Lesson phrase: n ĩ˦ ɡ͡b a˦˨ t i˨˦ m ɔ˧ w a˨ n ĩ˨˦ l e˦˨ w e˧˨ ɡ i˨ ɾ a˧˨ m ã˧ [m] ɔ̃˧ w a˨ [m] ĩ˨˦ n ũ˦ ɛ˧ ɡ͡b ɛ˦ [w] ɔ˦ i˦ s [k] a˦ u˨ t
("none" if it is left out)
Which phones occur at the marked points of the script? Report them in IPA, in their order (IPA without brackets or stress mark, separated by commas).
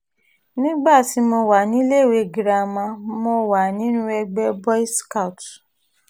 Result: m, n, b, k